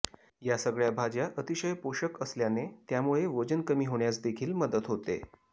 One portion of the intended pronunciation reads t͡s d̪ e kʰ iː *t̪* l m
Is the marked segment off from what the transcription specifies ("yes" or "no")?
yes